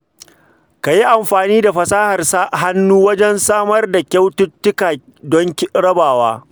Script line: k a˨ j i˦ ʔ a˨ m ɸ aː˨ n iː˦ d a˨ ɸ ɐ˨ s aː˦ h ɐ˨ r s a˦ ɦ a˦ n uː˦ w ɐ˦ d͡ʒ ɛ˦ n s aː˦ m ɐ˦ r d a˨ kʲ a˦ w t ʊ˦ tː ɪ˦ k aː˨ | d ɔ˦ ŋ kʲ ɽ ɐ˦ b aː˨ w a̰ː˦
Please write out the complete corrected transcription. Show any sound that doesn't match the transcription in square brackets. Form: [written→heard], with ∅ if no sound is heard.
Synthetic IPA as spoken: k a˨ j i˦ ʔ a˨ m ɸ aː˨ n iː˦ d a˨ ɸ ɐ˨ s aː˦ h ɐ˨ r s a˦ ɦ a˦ [n→nː] uː˦ w ɐ˦ d͡ʒ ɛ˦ n s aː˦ m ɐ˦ r d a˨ kʲ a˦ w t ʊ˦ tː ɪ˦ k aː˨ | d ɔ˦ ŋ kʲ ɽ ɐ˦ b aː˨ w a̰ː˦